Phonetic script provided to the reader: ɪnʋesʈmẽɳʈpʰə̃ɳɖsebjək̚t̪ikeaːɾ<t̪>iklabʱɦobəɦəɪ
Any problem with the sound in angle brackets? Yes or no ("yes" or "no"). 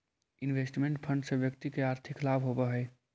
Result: yes